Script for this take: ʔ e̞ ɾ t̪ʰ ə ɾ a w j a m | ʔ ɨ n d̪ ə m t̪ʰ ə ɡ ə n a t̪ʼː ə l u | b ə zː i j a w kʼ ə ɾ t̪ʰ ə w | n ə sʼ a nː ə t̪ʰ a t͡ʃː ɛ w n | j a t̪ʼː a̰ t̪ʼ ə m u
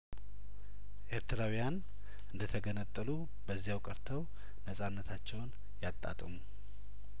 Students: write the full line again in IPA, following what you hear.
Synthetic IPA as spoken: ʔ e̞ ɾ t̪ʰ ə ɾ a w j a n | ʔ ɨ n d̪ ə t̪ʰ ə ɡ ə n ə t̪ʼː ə l u | b ə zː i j a w kʼ ə ɾ t̪ʰ ə w | n ə sʼ a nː ə t̪ʰ a t͡ʃː ɛ w n | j a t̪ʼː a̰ t̪ʼ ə m u